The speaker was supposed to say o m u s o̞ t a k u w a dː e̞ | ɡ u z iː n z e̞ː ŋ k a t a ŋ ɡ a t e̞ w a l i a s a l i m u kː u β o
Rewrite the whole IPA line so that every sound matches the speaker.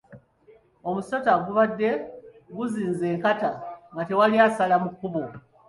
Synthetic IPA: o m u s o̞ t a ɡ u β a dː e̞ | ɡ u z iː n z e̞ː ŋ k a t a ŋ ɡ a t e̞ w a l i a s a l a m u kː u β o